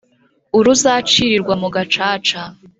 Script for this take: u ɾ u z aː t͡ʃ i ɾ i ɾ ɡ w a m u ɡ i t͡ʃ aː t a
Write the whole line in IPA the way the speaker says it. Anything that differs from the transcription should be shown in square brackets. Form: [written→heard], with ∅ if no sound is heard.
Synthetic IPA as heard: u ɾ u z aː t͡ʃ i ɾ i ɾ ɡ w a m u ɡ [i→a] t͡ʃ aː [t→t͡ʃ] a